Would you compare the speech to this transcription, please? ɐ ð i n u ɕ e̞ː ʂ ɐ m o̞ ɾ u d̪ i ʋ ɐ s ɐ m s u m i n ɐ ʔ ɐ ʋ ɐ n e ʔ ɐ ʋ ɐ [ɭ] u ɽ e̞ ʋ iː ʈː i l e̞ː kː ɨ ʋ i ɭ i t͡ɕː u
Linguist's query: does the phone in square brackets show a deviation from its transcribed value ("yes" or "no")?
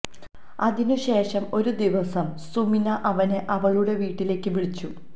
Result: no